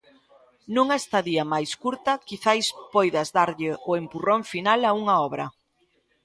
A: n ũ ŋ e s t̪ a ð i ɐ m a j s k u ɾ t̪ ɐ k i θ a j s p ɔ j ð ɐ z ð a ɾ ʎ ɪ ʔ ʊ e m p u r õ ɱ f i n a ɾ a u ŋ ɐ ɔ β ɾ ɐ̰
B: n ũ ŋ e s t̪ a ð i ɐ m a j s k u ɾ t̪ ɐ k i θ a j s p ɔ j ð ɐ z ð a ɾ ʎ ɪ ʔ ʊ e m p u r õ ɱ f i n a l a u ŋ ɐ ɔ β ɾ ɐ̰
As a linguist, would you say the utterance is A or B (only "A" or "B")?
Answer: B